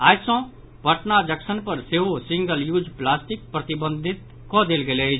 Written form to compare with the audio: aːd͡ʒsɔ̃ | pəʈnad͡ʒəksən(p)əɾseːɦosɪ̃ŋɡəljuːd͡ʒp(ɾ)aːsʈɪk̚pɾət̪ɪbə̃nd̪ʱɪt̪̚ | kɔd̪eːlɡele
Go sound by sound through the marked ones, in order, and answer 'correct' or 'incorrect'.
correct, incorrect: l

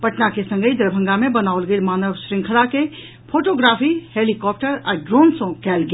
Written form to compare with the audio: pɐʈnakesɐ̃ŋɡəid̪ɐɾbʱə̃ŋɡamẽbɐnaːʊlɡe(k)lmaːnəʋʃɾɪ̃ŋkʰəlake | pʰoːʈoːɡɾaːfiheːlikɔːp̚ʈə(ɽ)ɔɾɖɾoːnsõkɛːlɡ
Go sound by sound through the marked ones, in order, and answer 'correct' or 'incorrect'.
incorrect: none, incorrect: ɾ

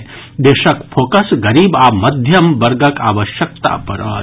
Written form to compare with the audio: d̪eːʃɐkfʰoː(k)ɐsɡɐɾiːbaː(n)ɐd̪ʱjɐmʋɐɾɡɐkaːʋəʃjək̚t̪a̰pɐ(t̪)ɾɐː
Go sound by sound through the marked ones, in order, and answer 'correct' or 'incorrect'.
correct, incorrect: m, incorrect: none

